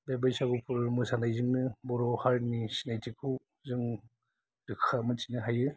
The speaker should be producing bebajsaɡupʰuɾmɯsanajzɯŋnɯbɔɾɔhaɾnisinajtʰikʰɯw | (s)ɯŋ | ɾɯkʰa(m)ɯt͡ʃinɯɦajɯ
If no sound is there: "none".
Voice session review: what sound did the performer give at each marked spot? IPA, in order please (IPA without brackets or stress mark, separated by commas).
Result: z, m